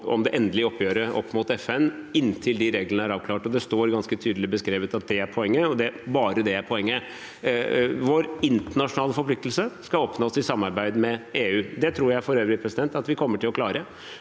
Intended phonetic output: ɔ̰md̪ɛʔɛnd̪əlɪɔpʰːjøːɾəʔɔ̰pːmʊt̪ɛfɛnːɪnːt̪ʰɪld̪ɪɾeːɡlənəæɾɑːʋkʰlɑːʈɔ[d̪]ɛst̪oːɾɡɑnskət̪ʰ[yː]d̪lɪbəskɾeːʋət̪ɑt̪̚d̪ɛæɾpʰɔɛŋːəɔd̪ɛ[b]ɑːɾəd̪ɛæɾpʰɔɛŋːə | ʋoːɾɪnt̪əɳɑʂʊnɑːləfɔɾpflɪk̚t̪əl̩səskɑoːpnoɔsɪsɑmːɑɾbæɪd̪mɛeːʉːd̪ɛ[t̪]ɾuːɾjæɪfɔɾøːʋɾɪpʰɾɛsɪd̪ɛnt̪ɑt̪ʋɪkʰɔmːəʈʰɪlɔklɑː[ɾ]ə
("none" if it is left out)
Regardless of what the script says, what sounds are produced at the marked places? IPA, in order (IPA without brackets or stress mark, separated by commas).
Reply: d̪, yː, b, t̪ʰ, ɾ